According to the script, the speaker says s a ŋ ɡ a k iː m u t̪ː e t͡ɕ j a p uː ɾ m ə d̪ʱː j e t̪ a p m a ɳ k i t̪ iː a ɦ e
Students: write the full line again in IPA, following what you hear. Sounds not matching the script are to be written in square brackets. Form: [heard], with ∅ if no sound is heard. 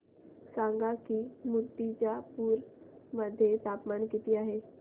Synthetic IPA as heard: s a ŋ ɡ a k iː m u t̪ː [i] t͡ɕ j a p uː ɾ m ə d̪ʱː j e t̪ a p m a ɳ k i t̪ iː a ɦ e

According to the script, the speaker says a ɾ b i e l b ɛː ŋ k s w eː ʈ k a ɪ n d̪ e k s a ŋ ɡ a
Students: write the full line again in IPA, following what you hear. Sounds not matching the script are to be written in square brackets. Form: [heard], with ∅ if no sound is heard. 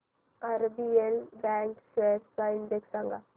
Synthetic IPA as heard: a ɾ b i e l b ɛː ŋ k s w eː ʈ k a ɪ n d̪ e k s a ŋ ɡ a

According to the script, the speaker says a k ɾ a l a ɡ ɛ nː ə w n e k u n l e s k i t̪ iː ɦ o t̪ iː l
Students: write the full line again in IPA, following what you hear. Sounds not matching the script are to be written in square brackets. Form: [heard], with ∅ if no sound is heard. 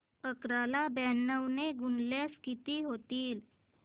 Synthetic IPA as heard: [ə] k ɾ a l a [b] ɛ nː ə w n e [ɡ] u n l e s k i t̪ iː ɦ o t̪ iː l

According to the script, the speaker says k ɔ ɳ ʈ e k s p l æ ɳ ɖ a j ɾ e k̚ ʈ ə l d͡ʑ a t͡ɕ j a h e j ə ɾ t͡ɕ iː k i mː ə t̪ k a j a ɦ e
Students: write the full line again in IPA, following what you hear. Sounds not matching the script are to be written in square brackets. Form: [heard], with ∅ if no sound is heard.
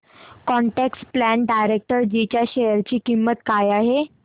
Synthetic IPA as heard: k ɔ ɳ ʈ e k s p l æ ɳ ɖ a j ɾ e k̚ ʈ ə [ɾ] d͡ʑ [i] t͡ɕ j a [ɕ] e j ə ɾ t͡ɕ iː k i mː ə t̪ k a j a ɦ e

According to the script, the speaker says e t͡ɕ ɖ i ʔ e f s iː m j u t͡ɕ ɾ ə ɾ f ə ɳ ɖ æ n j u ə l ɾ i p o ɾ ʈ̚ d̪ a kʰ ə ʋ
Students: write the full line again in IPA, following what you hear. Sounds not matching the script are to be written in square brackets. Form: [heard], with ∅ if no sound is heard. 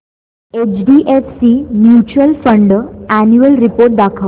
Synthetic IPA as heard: e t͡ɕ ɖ i ʔ e f s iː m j u t͡ɕ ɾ ə [l] f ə ɳ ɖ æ n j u ə l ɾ i p o ɾ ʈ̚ d̪ a kʰ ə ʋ

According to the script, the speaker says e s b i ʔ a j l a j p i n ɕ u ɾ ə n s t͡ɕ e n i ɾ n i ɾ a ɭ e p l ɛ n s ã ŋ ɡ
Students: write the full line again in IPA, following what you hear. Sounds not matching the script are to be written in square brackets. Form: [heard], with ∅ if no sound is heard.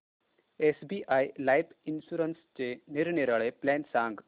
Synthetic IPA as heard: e s b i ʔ a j l a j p i n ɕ u ɾ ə n s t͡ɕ e n i ɾ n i ɾ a ɭ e p l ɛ n s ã ŋ ɡ

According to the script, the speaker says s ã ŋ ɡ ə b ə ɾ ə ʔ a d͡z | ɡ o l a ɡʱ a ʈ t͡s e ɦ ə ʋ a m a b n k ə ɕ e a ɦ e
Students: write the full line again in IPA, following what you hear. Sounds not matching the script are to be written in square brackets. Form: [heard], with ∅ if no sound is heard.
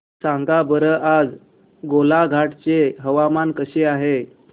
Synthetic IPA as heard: s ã ŋ ɡ [a] b ə ɾ ə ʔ a d͡z | ɡ o l a ɡʱ a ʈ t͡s e ɦ ə ʋ a m a [∅] n k ə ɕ e a ɦ e

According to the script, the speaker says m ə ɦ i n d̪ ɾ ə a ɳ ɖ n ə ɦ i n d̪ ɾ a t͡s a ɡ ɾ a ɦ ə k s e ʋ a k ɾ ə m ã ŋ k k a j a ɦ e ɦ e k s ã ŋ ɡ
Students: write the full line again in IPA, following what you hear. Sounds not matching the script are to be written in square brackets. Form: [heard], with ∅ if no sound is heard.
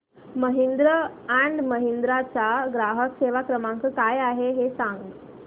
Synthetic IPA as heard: m ə ɦ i n d̪ ɾ ə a ɳ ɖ [m] ə ɦ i n d̪ ɾ a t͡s a ɡ ɾ a ɦ ə k s e ʋ a k ɾ ə m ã ŋ k k a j a ɦ e ɦ e [∅] s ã ŋ ɡ

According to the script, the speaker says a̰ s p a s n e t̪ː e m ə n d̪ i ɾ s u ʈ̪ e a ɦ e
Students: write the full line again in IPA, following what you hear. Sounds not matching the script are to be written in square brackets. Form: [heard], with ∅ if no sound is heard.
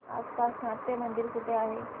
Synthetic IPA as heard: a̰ s p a s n [a] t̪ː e m ə n d̪ i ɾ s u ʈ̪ e a ɦ e

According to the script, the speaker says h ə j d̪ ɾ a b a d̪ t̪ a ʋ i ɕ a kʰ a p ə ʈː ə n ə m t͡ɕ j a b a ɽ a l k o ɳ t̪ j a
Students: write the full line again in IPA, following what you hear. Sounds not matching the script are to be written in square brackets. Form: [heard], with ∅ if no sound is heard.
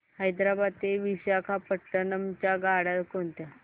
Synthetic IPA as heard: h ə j d̪ ɾ a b a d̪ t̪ [e] ʋ i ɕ a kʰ a p ə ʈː ə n ə m t͡ɕ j a [ɡ] a ɽ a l k o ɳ t̪ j a

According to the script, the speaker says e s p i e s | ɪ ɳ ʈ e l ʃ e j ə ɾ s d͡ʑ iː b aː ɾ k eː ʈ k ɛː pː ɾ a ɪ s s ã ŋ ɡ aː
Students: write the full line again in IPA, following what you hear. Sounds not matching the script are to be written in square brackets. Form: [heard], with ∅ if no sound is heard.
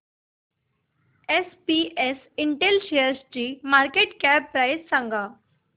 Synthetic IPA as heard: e s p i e s | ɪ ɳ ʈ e l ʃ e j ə ɾ s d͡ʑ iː [m] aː ɾ k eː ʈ k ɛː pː ɾ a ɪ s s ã ŋ ɡ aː

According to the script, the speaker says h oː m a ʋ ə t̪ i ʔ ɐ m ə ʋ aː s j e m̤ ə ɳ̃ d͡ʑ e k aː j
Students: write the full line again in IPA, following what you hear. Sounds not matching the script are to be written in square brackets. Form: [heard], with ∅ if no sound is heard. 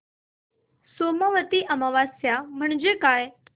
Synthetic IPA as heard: [s] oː m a ʋ ə t̪ i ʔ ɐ m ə ʋ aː s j [a] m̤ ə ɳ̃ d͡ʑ e k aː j

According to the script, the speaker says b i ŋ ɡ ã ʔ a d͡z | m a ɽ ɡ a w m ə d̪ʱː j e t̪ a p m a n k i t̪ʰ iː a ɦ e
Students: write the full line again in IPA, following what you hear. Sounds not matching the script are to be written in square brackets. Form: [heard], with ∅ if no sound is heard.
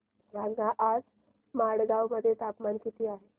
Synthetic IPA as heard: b [a] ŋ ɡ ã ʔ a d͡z | m a ɽ ɡ a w m ə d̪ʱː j e t̪ a p m a n k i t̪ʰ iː a ɦ e

